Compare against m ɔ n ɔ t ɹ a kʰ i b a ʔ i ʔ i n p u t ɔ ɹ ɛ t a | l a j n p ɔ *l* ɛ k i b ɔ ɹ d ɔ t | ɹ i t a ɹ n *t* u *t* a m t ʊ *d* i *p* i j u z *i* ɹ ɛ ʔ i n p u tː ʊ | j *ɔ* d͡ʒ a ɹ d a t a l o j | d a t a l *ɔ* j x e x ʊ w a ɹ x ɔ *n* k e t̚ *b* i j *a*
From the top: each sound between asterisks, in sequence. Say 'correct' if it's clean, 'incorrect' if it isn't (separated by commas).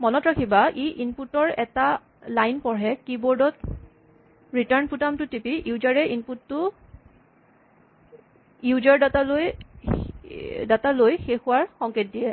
incorrect, incorrect, correct, incorrect, correct, incorrect, incorrect, incorrect, incorrect, incorrect, incorrect